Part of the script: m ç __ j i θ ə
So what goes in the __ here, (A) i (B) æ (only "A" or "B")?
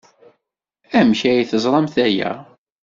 B